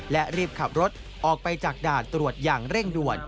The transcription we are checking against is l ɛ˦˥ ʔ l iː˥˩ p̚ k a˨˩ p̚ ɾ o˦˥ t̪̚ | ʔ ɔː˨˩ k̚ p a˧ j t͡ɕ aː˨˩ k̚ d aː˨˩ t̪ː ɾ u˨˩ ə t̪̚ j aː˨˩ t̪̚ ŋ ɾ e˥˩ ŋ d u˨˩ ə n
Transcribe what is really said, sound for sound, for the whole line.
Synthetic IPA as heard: l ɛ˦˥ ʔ ɾ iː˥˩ p̚ kʰ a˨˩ p̚ ɾ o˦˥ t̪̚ | ʔ ɔː˨˩ k̚ p a˧ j t͡ɕ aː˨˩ k̚ d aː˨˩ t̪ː ɾ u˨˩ ə t̪̚ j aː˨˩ ŋ ɾ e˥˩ ŋ d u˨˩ ə n